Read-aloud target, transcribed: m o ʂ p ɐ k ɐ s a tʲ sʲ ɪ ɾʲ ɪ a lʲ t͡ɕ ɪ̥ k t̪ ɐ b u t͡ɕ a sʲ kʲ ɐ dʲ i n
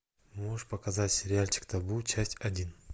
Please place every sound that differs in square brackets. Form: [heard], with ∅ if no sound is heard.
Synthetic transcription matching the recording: m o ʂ p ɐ k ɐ [z] a tʲ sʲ ɪ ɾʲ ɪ a lʲ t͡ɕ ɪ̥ k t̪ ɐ b u t͡ɕ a sʲ [tʲ] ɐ dʲ i n